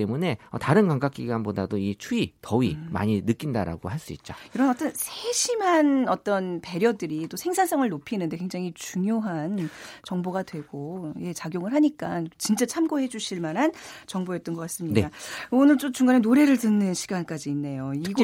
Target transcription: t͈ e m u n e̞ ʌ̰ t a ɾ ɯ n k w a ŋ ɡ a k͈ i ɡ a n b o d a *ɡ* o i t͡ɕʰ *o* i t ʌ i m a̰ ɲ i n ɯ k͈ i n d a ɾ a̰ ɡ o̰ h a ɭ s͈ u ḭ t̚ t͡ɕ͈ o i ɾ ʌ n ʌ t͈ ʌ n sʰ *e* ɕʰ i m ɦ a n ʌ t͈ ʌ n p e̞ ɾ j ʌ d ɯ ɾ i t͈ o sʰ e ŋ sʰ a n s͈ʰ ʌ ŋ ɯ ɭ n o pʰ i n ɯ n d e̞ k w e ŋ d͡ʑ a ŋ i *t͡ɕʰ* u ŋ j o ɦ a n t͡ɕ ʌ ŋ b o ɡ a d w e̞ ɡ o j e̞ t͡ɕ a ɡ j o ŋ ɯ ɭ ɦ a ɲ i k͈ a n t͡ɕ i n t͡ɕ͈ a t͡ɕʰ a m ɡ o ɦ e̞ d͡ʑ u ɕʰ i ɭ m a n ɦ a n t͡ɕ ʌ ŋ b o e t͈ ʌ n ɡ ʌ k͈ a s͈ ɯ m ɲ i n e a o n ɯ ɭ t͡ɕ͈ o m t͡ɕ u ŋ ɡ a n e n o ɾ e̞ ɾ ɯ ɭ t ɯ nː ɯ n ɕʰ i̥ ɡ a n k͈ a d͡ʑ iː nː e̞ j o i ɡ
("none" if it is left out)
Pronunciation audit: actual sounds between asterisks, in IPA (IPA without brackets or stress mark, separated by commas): d, u, e, t͡ɕ